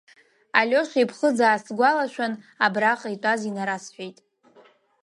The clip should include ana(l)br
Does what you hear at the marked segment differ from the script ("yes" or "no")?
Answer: yes